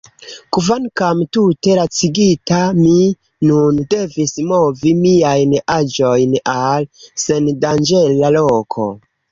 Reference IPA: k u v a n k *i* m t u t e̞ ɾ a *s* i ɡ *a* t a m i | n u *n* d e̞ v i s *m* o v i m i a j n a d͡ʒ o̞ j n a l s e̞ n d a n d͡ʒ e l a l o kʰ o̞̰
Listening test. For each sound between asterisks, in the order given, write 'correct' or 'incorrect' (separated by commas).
incorrect, incorrect, incorrect, correct, correct